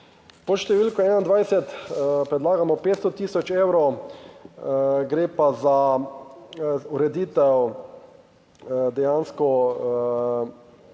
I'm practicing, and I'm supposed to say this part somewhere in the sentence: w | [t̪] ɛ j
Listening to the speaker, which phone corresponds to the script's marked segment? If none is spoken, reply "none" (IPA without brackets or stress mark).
d̪